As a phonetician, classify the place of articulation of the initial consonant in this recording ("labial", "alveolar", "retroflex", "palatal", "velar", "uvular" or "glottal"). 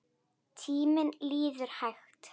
alveolar